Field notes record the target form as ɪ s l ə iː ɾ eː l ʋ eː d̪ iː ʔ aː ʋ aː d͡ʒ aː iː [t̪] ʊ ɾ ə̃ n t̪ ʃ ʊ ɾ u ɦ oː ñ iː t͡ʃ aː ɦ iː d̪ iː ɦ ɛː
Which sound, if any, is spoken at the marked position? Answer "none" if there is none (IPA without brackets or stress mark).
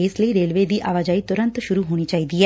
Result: t̪